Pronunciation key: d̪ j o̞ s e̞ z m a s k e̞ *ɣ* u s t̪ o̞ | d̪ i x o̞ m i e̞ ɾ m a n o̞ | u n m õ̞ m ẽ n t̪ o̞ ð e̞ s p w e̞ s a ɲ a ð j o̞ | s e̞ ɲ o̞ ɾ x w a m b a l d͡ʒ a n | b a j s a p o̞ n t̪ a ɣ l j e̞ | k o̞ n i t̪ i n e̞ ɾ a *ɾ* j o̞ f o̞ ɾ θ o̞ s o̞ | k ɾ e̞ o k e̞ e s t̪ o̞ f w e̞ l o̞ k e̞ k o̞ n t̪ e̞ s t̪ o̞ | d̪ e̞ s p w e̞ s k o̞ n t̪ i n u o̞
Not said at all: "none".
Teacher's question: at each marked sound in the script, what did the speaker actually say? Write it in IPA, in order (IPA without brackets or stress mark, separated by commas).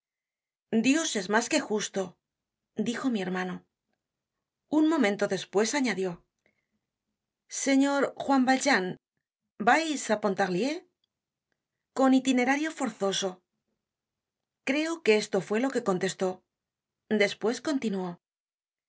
x, ɾ